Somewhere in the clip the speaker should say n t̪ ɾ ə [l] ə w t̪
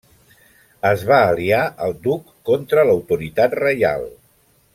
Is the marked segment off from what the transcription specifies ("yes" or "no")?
no